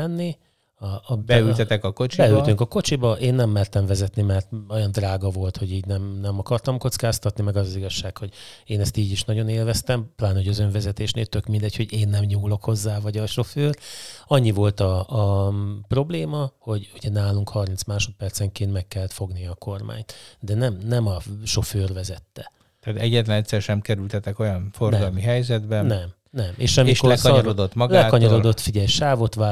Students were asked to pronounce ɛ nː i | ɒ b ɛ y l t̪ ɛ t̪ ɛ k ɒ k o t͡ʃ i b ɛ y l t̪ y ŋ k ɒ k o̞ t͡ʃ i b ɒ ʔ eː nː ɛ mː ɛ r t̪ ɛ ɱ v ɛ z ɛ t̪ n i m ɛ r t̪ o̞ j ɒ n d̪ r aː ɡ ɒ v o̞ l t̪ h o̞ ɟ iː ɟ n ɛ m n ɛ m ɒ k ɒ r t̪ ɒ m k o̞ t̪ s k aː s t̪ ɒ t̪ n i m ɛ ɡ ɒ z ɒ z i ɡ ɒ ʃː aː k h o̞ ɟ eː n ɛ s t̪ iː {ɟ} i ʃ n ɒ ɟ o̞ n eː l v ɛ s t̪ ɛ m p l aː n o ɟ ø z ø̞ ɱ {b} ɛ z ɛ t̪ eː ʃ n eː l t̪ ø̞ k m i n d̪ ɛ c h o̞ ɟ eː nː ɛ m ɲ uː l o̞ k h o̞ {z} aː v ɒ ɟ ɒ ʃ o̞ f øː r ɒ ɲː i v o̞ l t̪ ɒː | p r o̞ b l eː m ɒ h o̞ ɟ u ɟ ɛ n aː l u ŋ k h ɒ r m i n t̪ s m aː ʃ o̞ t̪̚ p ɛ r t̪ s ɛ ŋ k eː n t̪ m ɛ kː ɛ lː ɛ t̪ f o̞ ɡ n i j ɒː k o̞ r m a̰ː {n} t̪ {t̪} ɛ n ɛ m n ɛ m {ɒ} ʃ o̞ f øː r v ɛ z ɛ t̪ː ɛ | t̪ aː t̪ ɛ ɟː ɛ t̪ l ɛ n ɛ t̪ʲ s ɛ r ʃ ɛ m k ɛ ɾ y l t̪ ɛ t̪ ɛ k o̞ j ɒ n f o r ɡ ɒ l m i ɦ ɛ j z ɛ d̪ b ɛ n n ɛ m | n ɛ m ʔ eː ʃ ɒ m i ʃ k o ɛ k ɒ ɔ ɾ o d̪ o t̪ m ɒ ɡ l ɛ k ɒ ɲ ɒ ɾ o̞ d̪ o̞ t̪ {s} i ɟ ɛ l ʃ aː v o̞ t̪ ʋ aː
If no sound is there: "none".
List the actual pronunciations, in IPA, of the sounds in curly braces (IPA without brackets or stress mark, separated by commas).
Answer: ɟ, v, zː, ɲ, d̪, ɒ, f